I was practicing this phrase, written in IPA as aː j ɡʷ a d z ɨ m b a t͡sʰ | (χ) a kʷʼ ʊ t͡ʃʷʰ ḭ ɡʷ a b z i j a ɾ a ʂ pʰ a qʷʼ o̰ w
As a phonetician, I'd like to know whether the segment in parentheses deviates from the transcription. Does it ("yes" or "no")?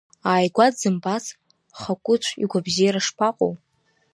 no